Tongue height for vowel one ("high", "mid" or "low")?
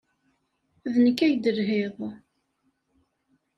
mid